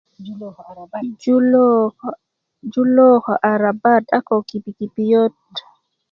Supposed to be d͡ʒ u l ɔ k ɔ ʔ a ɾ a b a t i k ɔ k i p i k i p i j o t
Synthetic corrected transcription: d͡ʒ u l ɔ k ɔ ʔ a ɾ a b a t a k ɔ k i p i k i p i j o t